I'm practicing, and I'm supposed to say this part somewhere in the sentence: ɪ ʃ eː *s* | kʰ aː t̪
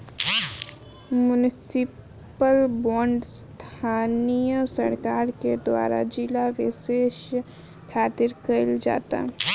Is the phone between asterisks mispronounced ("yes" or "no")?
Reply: yes